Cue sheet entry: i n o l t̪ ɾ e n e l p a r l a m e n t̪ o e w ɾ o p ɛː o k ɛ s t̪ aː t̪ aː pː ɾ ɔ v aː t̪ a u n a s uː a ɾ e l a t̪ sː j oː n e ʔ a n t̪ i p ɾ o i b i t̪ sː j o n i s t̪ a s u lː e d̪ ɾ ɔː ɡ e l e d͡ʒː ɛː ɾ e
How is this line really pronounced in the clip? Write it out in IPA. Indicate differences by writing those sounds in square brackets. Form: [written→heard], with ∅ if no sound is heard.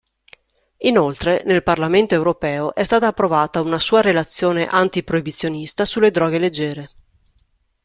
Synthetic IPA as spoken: i n o l t̪ ɾ e n e l p a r l a m e n t̪ o e w ɾ o p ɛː o [k→ʔ] ɛ s t̪ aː t̪ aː pː ɾ [ɔ→o] v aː t̪ a u n a s uː a ɾ e l a t̪ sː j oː n e ʔ a n t̪ i p ɾ o i b i t̪ sː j o n i s t̪ a s u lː e d̪ ɾ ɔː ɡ e l e d͡ʒː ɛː ɾ e

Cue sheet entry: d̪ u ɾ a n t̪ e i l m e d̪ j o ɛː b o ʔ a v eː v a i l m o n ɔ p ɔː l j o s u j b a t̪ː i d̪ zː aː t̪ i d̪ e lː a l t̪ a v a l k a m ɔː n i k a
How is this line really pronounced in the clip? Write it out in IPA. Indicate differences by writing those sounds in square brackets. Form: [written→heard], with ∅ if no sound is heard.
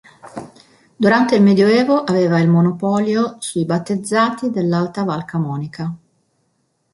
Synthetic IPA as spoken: d̪ u ɾ a n t̪ e i l m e d̪ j o ɛː [b→v] o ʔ a v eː v a i l m o n [ɔ→o] p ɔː l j o s u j b a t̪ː [i→e] d̪ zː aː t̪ i d̪ e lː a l t̪ a v a l k a m ɔː n i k a

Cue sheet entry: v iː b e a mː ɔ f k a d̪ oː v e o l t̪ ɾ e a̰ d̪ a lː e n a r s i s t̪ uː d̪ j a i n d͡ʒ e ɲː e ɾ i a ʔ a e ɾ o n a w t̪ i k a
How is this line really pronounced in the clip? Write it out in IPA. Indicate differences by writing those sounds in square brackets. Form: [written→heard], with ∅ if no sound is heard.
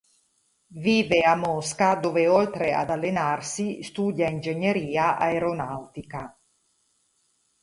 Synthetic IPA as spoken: v iː [b→v] e a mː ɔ [f→s] k a d̪ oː v e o l t̪ ɾ e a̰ d̪ a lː e n a r s i s t̪ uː d̪ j a i n d͡ʒ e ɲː e ɾ [i→iː] a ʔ a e ɾ o n a w t̪ i k a

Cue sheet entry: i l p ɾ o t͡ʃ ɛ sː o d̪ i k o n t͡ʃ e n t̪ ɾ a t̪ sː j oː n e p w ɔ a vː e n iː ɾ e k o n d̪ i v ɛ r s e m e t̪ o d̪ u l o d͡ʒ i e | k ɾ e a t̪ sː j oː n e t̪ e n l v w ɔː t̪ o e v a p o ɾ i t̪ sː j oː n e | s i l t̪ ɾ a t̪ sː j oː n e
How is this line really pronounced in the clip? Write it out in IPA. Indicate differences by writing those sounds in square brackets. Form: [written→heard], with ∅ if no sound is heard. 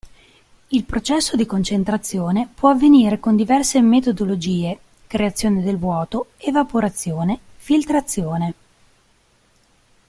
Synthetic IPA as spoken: i l p ɾ o t͡ʃ ɛ sː o d̪ i k o n t͡ʃ e n t̪ ɾ a t̪ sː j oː n e p w ɔ a vː e n iː ɾ e k o n d̪ i v ɛ r s e m e t̪ o d̪ [u→o] l o d͡ʒ [i→iː] e | k ɾ e a t̪ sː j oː n e [t̪→d̪] e [n→∅] l v w ɔː t̪ o e v a p o ɾ [i→a] t̪ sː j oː n e | [s→f] i l t̪ ɾ a t̪ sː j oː n e

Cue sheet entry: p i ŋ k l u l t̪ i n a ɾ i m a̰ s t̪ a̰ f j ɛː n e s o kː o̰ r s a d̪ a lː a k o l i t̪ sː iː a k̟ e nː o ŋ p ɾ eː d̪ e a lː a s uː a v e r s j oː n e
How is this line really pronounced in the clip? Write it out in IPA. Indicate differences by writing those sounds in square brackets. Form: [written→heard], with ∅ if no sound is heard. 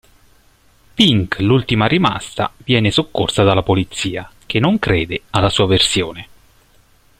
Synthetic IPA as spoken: p i ŋ k l u l t̪ i [n→m] a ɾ i m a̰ s t̪ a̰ [f→v] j ɛː n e s o kː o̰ r s a d̪ a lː a [k→p] o l i t̪ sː iː a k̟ e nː o ŋ [p→k] ɾ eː d̪ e a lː a s uː a v e r s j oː n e

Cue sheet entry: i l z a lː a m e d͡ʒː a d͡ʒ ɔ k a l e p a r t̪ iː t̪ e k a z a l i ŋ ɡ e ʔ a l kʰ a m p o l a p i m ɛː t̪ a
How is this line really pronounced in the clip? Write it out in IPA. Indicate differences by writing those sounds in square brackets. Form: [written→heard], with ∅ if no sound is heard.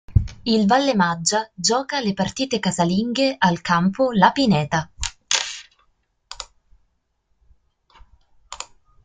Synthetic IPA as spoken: i l [z→v] a lː [a→e] m [e→a] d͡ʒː a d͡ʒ [ɔ→ɔː] k a l e p a r t̪ iː t̪ e k a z a l i ŋ ɡ e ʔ a l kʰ a m p o l a p i [m→n] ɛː t̪ a

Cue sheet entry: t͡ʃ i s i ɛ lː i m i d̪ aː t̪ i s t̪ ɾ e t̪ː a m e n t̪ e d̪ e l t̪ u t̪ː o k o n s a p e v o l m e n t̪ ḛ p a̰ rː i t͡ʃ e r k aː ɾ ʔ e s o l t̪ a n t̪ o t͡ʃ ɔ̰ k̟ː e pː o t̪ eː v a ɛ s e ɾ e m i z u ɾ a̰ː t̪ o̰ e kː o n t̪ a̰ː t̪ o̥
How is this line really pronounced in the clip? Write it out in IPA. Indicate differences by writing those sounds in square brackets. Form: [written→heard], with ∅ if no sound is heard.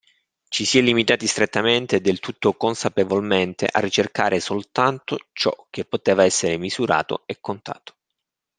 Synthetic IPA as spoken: t͡ʃ i s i ɛ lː i m i [d̪→t̪] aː t̪ i s t̪ ɾ e t̪ː a m e n t̪ e d̪ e l t̪ u t̪ː o k o n s a p e v o l m e n t̪ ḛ [p→ʔ] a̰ rː i t͡ʃ e r k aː ɾ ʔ e s o l t̪ a n t̪ o t͡ʃ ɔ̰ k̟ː e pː o t̪ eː v a ɛ [s→sː] e ɾ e m i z u ɾ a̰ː t̪ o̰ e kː o n t̪ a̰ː t̪ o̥

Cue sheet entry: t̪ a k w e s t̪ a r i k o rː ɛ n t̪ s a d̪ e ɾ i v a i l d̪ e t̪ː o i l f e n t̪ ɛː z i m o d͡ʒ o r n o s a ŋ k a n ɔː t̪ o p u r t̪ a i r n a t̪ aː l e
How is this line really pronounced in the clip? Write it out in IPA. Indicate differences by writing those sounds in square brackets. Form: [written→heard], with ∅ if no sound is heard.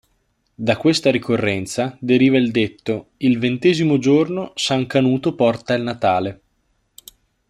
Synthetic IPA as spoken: [t̪→d̪] a k w e s t̪ a [r→ɾ] i k o rː ɛ n t̪ s a d̪ e ɾ [i→iː] v a i l d̪ e t̪ː o i l [f→v] e n t̪ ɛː z i m o d͡ʒ o r n o s a ŋ k a n [ɔː→uː] t̪ o p [u→ɔ] r t̪ a i [r→l] n a t̪ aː l e

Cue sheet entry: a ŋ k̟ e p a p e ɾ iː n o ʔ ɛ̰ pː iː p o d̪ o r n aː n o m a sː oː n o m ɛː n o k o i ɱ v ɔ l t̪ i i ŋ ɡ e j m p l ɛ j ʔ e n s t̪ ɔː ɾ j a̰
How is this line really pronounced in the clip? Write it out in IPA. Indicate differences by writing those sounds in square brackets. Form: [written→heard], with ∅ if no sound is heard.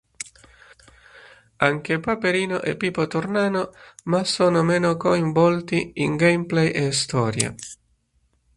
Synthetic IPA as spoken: a ŋ k̟ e p a p e ɾ iː n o ʔ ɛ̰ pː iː p o [d̪→t̪] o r n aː n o m a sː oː n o m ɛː n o k o i ɱ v ɔ l t̪ i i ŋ ɡ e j m p l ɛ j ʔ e [n→∅] s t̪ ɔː ɾ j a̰

